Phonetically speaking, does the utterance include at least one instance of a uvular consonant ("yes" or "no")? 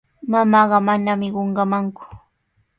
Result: yes